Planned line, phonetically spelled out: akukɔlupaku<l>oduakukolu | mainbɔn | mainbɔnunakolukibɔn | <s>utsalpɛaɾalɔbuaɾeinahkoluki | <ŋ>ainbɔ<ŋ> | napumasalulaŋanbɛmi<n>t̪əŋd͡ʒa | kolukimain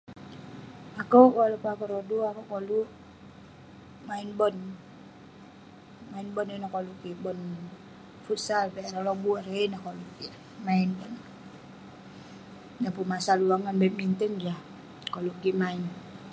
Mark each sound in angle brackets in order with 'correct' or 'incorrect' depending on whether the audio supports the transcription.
incorrect: ɾ, incorrect: f, incorrect: m, incorrect: n, correct

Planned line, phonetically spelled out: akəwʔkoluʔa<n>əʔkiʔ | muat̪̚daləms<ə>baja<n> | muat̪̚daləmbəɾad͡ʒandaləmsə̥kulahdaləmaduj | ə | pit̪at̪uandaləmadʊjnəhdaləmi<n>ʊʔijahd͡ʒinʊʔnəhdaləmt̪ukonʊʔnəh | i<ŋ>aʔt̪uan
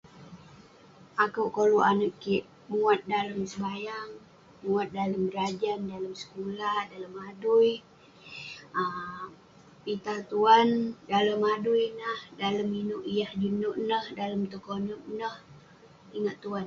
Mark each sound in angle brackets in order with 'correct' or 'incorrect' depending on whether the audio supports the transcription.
correct, correct, incorrect: ŋ, correct, correct

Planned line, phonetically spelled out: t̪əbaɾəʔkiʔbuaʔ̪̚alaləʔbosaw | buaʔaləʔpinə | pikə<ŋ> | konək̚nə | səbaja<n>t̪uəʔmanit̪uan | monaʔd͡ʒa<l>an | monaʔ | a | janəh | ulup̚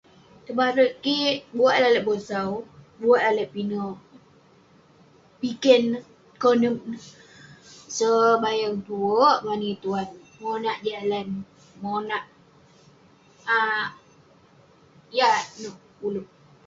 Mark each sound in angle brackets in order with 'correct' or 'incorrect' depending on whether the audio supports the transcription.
incorrect: n, incorrect: ŋ, correct

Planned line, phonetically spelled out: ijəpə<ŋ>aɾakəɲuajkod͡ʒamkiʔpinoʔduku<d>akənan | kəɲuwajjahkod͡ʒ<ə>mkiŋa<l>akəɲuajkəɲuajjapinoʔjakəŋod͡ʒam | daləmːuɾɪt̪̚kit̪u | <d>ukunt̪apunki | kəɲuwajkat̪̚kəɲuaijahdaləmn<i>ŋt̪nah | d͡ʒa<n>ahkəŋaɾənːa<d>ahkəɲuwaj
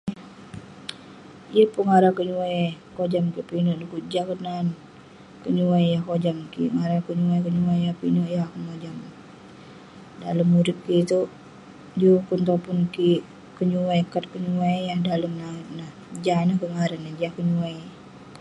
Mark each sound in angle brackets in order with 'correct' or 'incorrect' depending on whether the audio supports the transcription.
correct, incorrect: d͡ʒ, incorrect: a, incorrect: ɾ, incorrect: d͡ʒ, incorrect: a, correct, incorrect: d͡ʒ

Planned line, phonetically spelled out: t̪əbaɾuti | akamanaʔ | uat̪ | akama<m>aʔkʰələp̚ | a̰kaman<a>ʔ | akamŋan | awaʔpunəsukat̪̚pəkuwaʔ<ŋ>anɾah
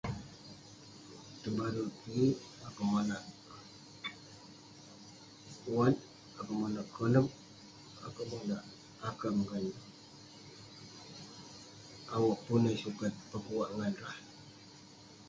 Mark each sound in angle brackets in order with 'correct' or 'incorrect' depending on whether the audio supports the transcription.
incorrect: n, correct, correct

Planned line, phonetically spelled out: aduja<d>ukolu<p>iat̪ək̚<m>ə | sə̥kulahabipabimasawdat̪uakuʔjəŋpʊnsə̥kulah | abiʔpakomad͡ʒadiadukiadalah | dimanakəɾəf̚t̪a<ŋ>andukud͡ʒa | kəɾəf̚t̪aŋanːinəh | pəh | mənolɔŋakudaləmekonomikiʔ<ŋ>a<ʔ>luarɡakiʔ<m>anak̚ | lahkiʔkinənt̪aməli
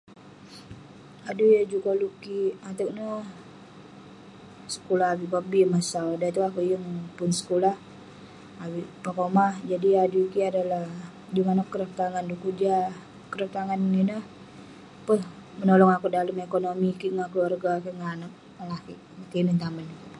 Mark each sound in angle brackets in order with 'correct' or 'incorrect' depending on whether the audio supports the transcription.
incorrect: d͡ʒ, incorrect: k, incorrect: n, correct, correct, incorrect: k, incorrect: ŋ

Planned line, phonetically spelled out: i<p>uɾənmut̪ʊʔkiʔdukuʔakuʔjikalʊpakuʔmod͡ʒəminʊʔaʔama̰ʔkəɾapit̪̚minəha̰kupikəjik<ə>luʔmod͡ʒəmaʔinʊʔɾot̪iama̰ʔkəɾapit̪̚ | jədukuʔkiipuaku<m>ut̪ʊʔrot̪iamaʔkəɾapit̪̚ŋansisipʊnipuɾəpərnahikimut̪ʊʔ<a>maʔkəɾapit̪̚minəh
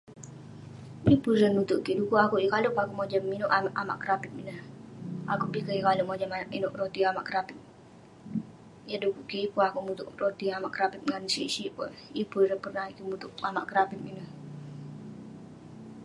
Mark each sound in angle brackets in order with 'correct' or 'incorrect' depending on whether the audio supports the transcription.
correct, incorrect: a, correct, correct

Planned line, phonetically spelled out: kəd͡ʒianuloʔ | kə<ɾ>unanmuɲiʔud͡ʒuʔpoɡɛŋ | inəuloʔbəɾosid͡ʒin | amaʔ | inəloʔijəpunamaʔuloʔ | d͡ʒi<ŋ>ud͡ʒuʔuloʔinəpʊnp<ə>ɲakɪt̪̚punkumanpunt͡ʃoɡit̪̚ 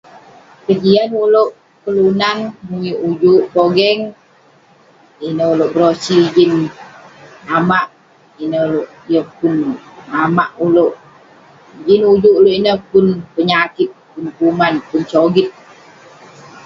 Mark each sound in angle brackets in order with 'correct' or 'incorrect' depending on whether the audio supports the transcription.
incorrect: l, incorrect: n, correct

